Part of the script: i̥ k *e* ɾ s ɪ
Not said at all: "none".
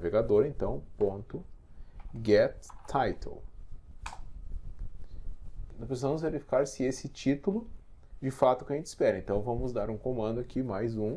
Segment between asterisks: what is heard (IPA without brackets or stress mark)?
a